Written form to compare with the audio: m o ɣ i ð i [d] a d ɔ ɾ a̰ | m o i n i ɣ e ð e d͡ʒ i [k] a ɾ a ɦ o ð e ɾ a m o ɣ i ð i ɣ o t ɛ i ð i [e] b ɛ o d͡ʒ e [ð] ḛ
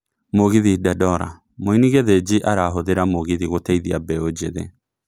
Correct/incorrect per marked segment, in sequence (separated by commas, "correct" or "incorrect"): correct, incorrect, incorrect, correct